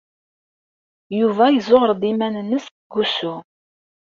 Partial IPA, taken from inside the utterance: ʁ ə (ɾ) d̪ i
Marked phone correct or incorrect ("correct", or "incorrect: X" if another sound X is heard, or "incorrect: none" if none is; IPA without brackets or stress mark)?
correct